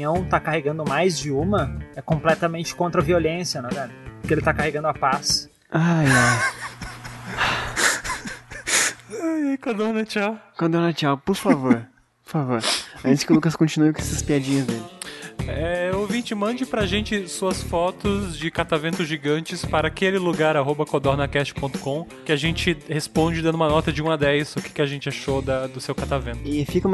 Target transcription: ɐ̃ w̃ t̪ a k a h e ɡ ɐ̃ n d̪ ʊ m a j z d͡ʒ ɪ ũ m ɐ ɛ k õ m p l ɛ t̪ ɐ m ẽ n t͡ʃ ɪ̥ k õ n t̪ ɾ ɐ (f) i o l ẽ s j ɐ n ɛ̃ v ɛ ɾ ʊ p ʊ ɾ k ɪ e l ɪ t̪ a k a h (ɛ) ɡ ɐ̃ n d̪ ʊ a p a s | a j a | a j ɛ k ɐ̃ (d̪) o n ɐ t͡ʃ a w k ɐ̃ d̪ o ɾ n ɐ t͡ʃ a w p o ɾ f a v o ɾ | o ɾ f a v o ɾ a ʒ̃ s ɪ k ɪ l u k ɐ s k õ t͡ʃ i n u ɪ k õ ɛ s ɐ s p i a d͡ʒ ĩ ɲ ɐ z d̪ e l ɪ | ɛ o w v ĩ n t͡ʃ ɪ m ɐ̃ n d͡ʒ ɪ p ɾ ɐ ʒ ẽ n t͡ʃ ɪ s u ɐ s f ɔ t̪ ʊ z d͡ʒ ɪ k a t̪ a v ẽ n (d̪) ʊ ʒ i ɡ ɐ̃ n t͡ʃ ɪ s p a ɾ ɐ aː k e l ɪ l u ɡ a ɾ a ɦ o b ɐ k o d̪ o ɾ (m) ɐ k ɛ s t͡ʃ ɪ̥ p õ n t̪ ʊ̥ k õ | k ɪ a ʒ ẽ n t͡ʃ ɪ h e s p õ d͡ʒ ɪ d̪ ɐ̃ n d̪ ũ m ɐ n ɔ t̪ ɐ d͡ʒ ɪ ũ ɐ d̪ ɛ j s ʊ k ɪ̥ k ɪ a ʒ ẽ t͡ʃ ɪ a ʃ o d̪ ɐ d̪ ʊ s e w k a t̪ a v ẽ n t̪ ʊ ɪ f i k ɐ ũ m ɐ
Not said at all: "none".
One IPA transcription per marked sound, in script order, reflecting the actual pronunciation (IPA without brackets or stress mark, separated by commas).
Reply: v, e, d̪, t̪, n